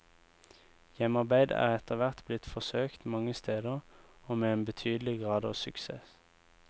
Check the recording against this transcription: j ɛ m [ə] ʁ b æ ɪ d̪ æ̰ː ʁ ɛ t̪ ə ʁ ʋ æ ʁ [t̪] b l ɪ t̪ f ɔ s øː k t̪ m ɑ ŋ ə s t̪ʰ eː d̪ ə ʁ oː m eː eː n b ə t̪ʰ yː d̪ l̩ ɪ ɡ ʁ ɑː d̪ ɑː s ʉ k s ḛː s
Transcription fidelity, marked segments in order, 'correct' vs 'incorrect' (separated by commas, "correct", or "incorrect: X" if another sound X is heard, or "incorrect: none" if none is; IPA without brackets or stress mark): incorrect: ɑ, correct